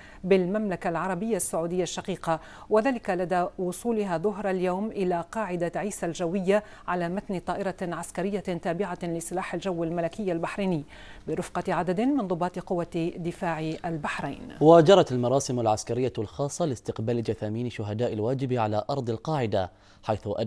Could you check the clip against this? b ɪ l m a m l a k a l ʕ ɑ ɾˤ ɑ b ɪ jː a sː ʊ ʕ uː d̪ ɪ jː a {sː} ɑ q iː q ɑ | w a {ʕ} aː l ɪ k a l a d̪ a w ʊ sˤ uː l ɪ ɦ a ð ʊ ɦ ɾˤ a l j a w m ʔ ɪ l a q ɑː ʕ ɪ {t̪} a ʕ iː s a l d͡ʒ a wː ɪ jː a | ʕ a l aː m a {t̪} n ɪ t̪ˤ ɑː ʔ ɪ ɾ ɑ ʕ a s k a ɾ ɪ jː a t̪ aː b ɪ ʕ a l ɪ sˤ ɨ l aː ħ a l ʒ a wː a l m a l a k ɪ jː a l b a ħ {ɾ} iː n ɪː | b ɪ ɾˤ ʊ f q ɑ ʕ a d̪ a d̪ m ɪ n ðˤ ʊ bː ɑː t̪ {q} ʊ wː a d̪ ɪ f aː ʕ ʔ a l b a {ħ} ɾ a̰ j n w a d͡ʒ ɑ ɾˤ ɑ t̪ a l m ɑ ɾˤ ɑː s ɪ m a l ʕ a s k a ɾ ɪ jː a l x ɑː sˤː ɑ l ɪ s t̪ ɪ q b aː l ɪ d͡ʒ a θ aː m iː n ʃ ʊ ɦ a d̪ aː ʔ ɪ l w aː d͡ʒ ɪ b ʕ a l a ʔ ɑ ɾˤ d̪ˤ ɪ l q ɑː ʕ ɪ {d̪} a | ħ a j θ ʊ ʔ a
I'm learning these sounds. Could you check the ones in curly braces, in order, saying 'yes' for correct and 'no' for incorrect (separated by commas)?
no, no, no, yes, yes, yes, yes, yes